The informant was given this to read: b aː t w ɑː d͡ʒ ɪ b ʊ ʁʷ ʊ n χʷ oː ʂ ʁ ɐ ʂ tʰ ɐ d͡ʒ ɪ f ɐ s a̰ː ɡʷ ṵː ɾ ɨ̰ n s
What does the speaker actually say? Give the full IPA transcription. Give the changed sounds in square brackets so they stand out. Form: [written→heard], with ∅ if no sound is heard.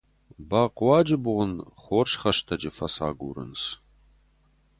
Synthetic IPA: b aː [t→q] w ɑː d͡ʒ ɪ b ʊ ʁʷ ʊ n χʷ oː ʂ [ʁ→χ] ɐ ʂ tʰ ɐ d͡ʒ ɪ f ɐ s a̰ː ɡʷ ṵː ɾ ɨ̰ n s